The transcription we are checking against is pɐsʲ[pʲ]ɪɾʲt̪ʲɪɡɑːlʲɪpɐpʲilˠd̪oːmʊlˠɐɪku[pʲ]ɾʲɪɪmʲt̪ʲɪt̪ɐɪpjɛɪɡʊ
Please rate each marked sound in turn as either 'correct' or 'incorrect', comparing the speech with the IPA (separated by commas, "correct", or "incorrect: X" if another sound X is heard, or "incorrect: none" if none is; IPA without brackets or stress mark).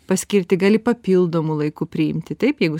incorrect: kʲ, correct